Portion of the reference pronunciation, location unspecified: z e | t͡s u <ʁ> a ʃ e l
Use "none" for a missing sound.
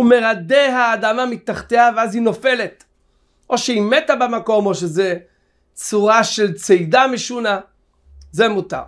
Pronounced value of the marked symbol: ʁ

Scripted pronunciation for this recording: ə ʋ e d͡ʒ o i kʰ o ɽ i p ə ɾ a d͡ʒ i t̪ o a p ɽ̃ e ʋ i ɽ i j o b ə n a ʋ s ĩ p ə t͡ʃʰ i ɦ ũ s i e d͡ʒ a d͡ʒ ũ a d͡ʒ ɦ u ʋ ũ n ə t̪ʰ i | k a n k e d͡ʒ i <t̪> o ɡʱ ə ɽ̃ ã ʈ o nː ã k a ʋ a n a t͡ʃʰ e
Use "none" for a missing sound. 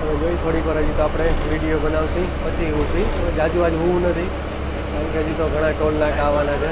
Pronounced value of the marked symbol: t̪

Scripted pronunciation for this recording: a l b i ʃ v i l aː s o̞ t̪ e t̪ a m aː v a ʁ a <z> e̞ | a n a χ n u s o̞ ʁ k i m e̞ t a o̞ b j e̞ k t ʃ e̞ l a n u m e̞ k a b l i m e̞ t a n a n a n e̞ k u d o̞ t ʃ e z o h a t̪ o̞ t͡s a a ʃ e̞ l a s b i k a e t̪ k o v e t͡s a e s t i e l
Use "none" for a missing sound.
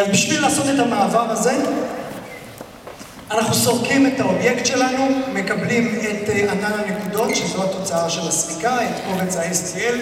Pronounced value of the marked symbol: z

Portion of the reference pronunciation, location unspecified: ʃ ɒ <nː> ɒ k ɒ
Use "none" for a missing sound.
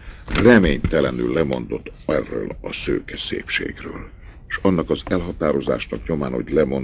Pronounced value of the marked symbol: nː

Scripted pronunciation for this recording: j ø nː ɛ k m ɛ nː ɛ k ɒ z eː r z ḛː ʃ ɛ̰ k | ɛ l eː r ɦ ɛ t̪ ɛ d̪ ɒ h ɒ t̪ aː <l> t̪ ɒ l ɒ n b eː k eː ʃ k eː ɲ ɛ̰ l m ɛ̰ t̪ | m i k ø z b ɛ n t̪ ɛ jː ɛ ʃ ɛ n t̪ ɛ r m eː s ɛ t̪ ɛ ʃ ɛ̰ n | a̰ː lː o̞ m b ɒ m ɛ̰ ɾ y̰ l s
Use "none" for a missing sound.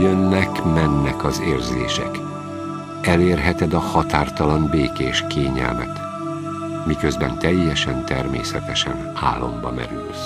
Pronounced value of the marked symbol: r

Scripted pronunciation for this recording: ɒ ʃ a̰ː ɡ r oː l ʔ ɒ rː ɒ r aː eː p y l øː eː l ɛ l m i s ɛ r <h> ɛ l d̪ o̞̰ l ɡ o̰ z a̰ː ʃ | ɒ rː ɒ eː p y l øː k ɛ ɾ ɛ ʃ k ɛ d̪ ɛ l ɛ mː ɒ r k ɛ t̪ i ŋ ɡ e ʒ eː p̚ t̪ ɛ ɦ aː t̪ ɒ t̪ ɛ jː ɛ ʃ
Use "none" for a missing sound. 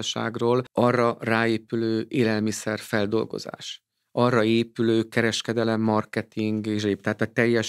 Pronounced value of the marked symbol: f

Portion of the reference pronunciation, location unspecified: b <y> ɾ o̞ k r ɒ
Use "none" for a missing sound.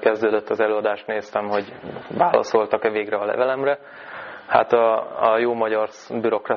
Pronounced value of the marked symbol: y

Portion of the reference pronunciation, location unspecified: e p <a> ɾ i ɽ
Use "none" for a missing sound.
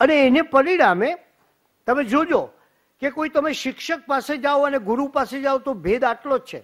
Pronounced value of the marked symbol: ə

